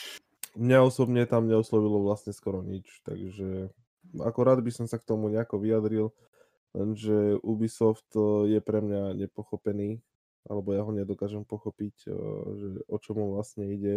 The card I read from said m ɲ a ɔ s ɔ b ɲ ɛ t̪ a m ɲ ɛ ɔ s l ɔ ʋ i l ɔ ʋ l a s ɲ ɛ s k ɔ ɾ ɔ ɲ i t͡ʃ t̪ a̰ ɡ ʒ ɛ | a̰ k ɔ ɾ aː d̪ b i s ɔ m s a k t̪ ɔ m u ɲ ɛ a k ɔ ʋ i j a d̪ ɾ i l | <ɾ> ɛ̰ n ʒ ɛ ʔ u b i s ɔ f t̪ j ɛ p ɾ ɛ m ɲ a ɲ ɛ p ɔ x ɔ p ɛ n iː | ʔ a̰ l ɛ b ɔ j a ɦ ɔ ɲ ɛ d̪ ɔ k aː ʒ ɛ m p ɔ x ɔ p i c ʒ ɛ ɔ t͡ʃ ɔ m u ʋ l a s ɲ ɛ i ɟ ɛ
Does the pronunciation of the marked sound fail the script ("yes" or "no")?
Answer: yes